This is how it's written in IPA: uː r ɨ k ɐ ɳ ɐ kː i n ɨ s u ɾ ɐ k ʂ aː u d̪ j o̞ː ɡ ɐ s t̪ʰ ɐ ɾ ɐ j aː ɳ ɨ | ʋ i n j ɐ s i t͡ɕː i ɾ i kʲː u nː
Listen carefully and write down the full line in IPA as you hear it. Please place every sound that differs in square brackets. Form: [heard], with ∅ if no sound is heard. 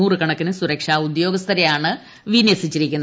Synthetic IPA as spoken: uː r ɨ k ɐ ɳ ɐ kː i n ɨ s u ɾ ɐ k ʂ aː u d̪ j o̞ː ɡ ɐ s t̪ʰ ɐ ɾ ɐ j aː ɳ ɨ | ʋ i n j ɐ s i t͡ɕː i ɾ i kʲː u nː